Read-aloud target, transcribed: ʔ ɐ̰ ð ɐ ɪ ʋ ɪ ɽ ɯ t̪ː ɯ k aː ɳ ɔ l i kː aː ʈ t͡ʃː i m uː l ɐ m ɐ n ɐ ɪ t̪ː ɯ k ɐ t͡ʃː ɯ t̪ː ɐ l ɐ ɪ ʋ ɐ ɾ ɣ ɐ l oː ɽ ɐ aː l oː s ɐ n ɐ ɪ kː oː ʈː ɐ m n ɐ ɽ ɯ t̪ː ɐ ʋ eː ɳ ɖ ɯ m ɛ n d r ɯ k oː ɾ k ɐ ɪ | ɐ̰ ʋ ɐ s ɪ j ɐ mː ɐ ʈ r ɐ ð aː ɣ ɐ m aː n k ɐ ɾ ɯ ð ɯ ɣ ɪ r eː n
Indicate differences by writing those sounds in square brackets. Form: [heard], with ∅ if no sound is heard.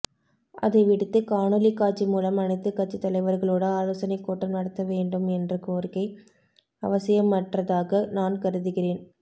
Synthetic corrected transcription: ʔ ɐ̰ ð ɐ ɪ ʋ ɪ ɽ ɯ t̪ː ɯ k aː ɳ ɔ l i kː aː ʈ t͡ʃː i m uː l ɐ m ɐ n ɐ ɪ t̪ː ɯ k ɐ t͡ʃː ɯ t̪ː ɐ l ɐ ɪ ʋ ɐ ɾ ɣ ɐ [ɭ] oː ɽ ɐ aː l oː s ɐ n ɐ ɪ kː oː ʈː ɐ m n ɐ ɽ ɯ t̪ː ɐ ʋ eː ɳ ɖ ɯ m ɛ n d r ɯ k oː ɾ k ɐ ɪ | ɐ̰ ʋ ɐ s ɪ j ɐ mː ɐ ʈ r ɐ ð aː ɣ ɐ [n] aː n k ɐ ɾ ɯ ð ɯ ɣ ɪ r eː n

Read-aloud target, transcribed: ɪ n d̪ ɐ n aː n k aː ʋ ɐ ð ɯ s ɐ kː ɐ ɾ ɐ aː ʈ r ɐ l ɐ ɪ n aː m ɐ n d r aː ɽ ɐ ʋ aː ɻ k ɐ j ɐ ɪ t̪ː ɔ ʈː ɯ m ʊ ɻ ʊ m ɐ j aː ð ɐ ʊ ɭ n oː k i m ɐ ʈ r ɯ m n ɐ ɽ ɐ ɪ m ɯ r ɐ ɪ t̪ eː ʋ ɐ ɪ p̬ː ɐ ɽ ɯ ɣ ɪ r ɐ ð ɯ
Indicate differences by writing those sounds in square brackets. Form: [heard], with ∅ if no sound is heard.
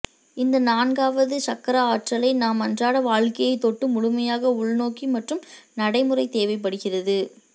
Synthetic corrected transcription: ɪ n d̪ ɐ n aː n [ɡ] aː ʋ ɐ ð ɯ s ɐ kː ɐ ɾ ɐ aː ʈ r ɐ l ɐ ɪ n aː m ɐ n d r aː ɽ ɐ ʋ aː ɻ k ɐ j ɐ ɪ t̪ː ɔ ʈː ɯ m ʊ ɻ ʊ m ɐ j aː [ɣ] ɐ ʊ ɭ n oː k i m ɐ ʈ r ɯ m n ɐ ɽ ɐ ɪ m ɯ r ɐ ɪ t̪ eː ʋ ɐ ɪ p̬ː ɐ ɽ ɯ ɣ ɪ r ɐ ð ɯ

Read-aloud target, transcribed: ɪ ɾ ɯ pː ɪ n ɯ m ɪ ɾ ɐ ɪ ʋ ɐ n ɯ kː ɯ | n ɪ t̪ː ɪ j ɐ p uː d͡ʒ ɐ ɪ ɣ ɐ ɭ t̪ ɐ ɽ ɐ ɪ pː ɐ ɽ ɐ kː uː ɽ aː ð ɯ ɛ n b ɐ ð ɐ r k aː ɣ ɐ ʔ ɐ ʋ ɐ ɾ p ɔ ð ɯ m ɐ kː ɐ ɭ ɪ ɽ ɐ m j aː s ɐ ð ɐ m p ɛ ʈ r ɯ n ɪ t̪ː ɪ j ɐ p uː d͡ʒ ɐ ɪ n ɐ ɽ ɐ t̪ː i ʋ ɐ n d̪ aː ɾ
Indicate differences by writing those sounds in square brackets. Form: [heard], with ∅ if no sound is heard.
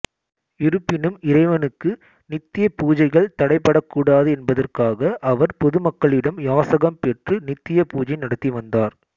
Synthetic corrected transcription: ɪ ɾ ɯ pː ɪ n ɯ m ɪ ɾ ɐ ɪ ʋ ɐ n ɯ kː ɯ | n ɪ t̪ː ɪ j ɐ p uː d͡ʒ ɐ ɪ ɣ ɐ ɭ t̪ ɐ ɽ ɐ ɪ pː ɐ ɽ ɐ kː uː ɽ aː ð ɯ ɛ n b ɐ ð ɐ r k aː ɣ ɐ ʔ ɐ ʋ ɐ ɾ p ɔ ð ɯ m ɐ kː ɐ ɭ ɪ ɽ ɐ m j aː s ɐ [ɣ] ɐ m p ɛ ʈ r ɯ n ɪ t̪ː ɪ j ɐ p uː d͡ʒ ɐ ɪ n ɐ ɽ ɐ t̪ː i ʋ ɐ n d̪ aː ɾ

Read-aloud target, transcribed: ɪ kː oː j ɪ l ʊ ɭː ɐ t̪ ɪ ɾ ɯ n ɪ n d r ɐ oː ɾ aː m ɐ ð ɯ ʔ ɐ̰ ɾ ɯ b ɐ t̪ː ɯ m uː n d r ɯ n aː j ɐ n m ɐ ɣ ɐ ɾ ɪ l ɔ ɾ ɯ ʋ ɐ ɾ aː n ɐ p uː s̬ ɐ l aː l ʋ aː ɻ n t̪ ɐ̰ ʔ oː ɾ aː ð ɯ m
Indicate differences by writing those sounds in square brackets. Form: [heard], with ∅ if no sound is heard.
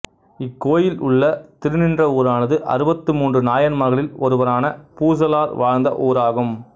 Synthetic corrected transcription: ɪ kː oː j ɪ l ʊ ɭː ɐ t̪ ɪ ɾ ɯ n ɪ n d r ɐ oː ɾ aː [n] ɐ ð ɯ ʔ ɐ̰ ɾ ɯ b ɐ t̪ː ɯ m uː n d r ɯ n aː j ɐ n m ɐ ɣ ɐ [ɭ] ɪ l ɔ ɾ ɯ ʋ ɐ ɾ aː n ɐ p uː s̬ ɐ l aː [ɾ] ʋ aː ɻ n [d̪] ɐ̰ ʔ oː ɾ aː [ɣ] ɯ m

